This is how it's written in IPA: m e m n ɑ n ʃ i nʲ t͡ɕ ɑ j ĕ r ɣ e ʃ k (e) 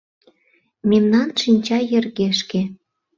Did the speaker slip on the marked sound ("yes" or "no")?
no